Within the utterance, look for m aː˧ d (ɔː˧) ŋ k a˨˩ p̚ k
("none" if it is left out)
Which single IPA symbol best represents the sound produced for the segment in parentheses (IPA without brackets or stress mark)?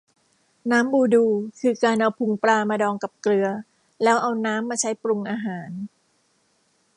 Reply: ɔː˧